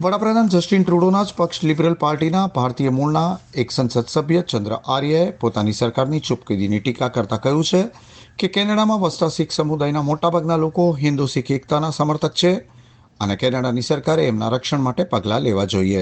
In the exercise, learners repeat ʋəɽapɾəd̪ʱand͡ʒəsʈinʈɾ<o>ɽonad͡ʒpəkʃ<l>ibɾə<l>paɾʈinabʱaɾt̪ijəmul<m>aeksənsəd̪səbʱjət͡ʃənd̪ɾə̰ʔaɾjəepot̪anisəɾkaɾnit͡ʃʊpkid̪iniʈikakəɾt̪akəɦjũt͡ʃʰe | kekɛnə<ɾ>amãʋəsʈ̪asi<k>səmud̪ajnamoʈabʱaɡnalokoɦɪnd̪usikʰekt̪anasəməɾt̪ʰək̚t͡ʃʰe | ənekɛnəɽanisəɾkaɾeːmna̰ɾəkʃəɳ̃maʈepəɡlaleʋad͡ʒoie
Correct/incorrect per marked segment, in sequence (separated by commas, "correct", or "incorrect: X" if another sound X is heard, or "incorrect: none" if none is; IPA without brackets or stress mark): incorrect: u, correct, correct, incorrect: n, incorrect: ɽ, correct